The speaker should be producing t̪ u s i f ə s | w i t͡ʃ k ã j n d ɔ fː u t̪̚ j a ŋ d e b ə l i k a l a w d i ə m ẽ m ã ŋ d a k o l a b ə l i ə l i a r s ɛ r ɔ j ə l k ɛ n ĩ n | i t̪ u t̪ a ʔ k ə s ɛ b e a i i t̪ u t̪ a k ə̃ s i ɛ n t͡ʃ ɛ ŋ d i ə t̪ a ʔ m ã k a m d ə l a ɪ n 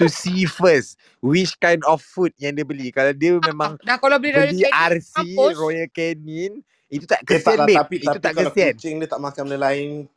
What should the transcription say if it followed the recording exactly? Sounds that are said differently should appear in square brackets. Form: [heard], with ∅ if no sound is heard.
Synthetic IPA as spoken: t̪ u s i f ə s | w i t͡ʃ k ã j n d ɔ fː u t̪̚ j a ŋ d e b ə l i k a l a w d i ə m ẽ m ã ŋ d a k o l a b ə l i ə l i a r s [i] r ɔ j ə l k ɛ n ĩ n | i t̪ u t̪ a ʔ k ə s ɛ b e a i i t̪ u t̪ a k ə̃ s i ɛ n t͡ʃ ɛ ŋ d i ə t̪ a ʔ m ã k a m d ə l a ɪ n